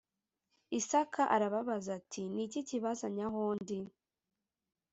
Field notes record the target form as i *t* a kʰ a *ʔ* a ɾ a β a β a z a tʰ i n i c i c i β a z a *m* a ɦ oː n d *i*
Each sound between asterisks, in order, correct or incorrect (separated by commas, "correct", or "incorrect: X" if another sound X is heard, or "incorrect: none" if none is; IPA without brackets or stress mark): incorrect: s, correct, incorrect: ɲ, correct